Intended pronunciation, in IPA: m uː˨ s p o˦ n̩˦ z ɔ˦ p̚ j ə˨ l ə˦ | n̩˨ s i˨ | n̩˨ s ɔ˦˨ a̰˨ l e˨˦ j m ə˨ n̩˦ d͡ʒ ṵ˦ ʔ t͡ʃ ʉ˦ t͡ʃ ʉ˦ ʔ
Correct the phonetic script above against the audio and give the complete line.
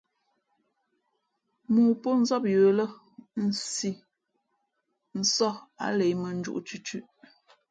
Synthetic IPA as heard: m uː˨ p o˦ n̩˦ z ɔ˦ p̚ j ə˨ l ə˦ | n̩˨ s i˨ | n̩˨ s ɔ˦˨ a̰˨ l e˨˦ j m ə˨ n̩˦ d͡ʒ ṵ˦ ʔ t͡ʃ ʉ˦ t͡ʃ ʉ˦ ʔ